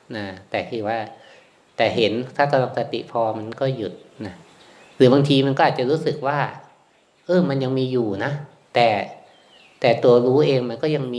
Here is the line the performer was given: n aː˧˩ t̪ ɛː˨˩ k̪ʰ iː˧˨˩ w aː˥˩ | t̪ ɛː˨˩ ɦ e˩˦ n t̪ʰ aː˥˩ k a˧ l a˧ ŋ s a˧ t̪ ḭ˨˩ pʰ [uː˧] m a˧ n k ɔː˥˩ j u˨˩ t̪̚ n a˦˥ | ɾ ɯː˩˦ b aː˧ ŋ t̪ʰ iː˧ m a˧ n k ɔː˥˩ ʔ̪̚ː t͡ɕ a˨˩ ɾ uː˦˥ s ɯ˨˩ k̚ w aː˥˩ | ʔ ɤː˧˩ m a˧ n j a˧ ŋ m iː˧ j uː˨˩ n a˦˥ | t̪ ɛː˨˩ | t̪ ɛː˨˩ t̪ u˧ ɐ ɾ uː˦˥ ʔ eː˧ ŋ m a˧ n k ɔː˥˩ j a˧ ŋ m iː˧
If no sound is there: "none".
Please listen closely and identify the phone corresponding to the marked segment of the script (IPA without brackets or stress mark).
ɔː˧